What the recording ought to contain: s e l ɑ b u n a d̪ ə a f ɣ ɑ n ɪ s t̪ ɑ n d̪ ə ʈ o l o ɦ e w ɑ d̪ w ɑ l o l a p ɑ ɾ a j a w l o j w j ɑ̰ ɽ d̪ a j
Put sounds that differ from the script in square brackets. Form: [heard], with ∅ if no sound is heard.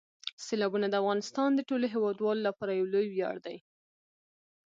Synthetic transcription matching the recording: s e l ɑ b u n a d̪ ə a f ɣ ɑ n ɪ s t̪ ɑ n d̪ ə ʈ o l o ɦ e w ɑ d̪ w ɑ l o l a p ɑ ɾ a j a w l o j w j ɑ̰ ɽ d̪ a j